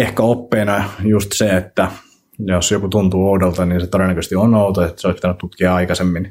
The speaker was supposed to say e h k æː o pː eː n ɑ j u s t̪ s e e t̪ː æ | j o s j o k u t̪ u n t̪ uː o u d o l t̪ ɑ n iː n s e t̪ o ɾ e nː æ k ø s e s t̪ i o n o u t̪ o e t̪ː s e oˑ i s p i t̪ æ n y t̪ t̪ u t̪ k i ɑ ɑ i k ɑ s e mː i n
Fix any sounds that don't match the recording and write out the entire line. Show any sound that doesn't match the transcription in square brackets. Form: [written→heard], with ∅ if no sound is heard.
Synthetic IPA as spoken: e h k [æː→æ] o pː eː n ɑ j u s t̪ s e e t̪ː æ | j o s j o k u t̪ u n t̪ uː o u d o l t̪ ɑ n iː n s e t̪ o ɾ e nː æ k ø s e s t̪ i o n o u t̪ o e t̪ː s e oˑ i s p i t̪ æ n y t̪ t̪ u t̪ k i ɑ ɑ i k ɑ s e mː i n